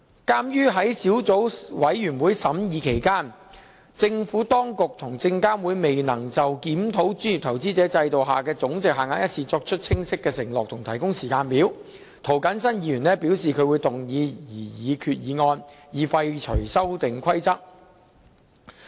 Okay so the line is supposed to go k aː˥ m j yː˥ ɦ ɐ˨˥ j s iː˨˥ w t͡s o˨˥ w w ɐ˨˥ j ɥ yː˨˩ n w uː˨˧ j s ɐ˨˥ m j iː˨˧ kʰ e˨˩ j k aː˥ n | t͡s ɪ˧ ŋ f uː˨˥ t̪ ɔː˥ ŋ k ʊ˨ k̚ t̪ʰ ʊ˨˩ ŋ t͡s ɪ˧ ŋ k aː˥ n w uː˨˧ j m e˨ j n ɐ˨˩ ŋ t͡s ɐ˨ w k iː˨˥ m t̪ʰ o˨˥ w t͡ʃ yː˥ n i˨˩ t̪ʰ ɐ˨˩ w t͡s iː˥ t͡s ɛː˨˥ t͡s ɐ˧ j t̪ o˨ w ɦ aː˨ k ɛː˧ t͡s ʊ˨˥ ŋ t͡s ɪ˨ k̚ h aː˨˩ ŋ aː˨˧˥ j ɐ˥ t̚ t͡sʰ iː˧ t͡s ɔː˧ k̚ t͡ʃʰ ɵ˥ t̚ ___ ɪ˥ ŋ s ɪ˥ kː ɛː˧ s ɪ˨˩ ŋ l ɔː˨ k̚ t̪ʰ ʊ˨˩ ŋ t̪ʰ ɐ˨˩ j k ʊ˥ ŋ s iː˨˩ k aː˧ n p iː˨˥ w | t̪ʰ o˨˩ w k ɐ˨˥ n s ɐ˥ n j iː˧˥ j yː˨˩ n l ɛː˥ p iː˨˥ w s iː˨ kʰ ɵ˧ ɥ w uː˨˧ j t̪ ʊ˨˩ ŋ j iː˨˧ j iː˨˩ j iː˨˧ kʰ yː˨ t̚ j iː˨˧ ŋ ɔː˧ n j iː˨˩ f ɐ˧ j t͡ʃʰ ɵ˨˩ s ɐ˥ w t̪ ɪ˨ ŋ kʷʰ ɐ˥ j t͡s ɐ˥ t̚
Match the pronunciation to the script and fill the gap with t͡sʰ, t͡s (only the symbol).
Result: t͡sʰ